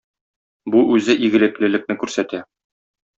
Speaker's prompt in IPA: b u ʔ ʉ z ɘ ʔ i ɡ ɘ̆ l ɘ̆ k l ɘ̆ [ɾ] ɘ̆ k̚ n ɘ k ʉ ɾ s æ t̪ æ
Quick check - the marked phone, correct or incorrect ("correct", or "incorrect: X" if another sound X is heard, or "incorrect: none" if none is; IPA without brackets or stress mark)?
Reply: incorrect: l